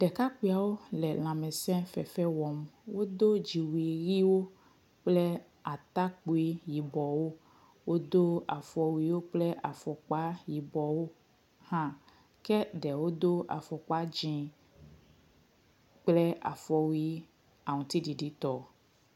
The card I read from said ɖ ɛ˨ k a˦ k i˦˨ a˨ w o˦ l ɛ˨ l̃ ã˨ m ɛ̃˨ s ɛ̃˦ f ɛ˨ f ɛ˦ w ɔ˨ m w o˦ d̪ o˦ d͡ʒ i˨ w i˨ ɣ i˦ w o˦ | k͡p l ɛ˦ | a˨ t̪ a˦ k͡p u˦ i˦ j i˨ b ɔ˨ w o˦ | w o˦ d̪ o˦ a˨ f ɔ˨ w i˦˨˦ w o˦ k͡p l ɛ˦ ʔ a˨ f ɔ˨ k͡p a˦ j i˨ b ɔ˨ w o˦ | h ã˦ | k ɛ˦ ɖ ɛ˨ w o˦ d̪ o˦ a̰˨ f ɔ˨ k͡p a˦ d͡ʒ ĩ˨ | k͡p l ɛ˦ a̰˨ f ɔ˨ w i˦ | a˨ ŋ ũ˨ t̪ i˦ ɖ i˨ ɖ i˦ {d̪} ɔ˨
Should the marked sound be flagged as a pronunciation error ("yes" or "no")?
yes